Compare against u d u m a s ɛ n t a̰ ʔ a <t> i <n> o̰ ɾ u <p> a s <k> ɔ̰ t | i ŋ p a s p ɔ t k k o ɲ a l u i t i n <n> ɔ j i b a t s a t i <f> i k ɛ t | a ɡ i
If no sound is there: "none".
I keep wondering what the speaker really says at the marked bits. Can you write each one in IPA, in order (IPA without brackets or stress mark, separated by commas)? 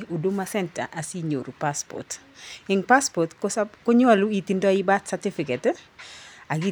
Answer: s, ɲ, p, p, d, f